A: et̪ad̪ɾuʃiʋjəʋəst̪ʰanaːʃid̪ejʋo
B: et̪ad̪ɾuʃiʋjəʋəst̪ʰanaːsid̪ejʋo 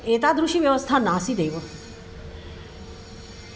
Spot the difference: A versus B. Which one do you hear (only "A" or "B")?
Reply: B